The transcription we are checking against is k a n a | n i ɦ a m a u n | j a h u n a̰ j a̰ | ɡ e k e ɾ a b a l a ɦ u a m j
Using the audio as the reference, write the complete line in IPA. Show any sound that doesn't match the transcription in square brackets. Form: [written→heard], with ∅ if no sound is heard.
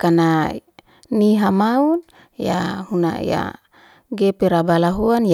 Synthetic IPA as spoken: k a n a | n i ɦ a m a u n | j a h u n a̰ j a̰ | ɡ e [k→p] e ɾ a b a l a ɦ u a [m→n] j